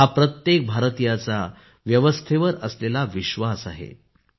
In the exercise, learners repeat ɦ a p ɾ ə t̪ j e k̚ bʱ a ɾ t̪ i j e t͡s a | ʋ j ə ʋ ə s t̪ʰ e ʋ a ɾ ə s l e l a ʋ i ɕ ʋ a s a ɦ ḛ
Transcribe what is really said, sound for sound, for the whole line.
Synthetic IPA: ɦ a p ɾ ə t̪ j e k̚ bʱ a ɾ t̪ i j a t͡s a | ʋ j ə ʋ ə s t̪ʰ e ʋ ə ɾ ə s l e l a ʋ i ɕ ʋ a s a ɦ ḛ